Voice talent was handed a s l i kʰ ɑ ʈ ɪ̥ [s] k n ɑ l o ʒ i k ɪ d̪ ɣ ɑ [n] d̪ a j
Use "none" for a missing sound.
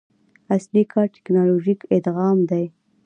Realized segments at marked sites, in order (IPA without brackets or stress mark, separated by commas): none, m